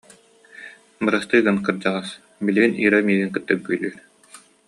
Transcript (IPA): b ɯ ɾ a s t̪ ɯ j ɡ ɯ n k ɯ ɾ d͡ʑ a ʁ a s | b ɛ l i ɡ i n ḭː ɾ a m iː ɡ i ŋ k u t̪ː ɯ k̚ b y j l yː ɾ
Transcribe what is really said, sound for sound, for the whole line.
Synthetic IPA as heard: b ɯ ɾ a s t̪ ɯ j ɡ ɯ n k ɯ ɾ d͡ʑ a ʁ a s | b i l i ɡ i n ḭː ɾ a m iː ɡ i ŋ k ɯ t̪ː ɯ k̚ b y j l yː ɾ